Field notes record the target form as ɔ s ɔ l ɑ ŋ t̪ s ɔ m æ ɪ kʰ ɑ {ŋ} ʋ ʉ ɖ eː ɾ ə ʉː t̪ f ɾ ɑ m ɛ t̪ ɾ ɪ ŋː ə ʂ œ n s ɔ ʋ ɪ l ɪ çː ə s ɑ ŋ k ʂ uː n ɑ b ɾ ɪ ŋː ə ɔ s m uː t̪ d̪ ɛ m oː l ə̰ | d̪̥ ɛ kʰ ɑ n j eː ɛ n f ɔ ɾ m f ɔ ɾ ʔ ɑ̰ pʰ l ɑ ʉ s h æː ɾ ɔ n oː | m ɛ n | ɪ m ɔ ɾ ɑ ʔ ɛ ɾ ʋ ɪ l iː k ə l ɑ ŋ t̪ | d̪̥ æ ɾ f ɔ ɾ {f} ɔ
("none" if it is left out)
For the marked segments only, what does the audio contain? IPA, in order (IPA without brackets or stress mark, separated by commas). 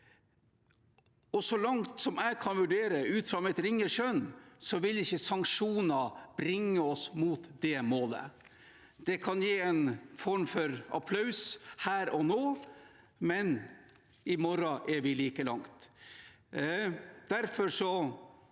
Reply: n, ʂ